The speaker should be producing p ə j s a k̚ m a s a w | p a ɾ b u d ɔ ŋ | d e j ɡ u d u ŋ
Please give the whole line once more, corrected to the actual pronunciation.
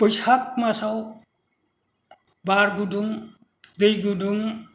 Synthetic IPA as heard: p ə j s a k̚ m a s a w | b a ɾ ɡ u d u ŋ | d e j ɡ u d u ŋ